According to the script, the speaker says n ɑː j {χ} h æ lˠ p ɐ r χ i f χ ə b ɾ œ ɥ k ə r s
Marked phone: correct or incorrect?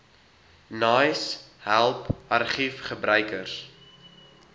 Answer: incorrect: s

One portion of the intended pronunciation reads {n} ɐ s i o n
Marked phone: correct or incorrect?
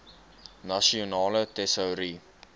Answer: correct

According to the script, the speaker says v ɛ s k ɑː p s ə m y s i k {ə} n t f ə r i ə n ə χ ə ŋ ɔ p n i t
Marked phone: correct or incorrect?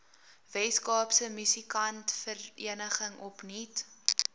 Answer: incorrect: ɐ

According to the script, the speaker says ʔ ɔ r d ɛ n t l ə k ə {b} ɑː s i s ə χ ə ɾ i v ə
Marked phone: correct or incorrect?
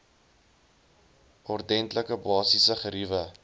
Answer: correct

